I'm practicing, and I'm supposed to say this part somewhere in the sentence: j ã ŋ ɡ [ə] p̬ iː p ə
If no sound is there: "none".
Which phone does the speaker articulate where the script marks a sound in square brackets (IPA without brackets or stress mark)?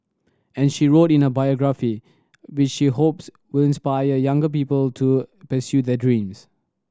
ə